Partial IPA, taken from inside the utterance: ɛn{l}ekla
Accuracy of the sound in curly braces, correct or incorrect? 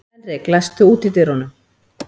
incorrect